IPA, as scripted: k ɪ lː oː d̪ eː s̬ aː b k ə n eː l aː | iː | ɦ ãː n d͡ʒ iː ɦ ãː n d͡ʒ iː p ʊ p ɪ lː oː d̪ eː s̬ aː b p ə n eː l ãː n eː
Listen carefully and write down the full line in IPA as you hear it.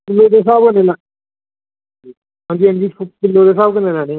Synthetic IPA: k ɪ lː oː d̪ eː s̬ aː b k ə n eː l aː | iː | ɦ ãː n d͡ʒ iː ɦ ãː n d͡ʒ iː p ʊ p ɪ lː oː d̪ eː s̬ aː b k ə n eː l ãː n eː